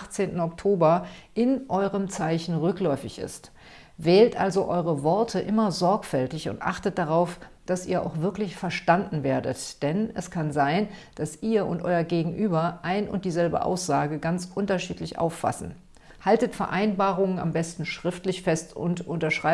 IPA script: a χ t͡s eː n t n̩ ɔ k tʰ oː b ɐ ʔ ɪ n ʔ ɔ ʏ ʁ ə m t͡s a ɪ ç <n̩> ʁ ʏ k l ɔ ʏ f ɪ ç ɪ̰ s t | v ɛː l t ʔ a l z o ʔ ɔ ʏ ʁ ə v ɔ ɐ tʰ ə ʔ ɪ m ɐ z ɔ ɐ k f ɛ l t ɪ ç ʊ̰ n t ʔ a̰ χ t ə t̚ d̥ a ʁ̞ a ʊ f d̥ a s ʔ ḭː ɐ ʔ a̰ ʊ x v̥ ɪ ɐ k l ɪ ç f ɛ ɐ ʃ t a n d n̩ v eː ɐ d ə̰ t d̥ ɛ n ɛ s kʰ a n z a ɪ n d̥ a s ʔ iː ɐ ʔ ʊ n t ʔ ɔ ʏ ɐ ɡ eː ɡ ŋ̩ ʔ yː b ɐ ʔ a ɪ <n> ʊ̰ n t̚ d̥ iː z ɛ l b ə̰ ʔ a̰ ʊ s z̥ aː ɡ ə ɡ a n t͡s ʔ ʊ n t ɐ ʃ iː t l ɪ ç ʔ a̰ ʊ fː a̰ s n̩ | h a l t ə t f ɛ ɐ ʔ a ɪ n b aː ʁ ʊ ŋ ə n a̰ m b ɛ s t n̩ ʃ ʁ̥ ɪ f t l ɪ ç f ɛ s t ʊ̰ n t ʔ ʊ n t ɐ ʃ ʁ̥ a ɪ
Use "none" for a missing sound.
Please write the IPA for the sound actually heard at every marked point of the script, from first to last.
n̩, n

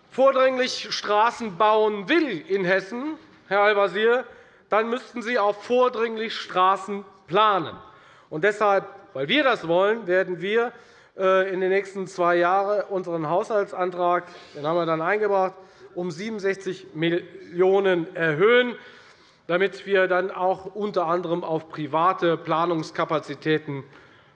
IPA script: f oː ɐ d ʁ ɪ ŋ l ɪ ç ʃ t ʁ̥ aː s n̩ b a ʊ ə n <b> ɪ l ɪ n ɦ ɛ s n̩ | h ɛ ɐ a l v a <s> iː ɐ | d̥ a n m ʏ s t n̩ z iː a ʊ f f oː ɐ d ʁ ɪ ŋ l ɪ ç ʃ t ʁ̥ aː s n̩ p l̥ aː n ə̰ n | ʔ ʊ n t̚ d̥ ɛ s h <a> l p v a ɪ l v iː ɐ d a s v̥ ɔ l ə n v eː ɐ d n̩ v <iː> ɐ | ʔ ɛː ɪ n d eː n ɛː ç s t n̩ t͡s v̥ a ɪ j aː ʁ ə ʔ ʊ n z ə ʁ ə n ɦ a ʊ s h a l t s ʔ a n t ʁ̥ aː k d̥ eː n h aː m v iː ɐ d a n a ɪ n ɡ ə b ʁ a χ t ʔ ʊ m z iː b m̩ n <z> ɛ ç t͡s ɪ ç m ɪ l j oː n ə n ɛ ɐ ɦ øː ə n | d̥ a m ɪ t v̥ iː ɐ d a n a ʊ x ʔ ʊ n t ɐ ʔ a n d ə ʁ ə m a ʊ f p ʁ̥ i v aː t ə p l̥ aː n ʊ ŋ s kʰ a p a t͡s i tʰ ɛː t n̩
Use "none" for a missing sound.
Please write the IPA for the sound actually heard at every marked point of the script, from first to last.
v, z, a, iː, z

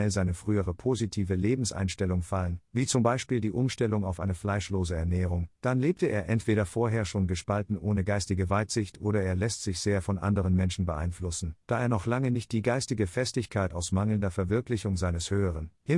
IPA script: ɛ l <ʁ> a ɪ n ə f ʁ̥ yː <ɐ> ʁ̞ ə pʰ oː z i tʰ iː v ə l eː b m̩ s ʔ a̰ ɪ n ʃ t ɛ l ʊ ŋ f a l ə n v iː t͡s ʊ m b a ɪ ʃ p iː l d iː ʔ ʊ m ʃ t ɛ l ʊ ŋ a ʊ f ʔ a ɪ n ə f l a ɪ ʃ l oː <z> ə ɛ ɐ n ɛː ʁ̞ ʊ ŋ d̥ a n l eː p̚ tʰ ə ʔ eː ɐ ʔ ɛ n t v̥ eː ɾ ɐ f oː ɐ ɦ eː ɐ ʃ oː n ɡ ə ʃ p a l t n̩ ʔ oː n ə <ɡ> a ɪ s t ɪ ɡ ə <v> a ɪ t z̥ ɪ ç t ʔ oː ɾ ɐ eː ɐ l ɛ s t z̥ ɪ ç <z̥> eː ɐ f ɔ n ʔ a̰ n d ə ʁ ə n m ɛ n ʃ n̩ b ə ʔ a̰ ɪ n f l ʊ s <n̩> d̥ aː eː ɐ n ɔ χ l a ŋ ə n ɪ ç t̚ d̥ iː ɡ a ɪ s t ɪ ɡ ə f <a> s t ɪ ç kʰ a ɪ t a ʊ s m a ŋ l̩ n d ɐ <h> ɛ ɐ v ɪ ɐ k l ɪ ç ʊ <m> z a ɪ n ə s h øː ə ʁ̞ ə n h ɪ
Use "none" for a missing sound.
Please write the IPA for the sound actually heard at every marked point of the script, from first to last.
z, ə, z, ɡ, v, z̥, n̩, ɛ, f, ŋ

